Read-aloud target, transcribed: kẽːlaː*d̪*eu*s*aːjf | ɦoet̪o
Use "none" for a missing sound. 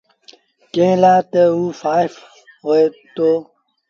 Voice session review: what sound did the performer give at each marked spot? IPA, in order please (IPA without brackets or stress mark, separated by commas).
t̪, f